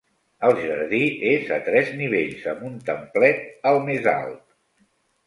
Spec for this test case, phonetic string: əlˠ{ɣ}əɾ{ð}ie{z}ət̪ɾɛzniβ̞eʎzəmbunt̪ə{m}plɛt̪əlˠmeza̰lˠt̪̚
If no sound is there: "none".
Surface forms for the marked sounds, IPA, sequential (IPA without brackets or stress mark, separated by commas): ʒ, ð, z, m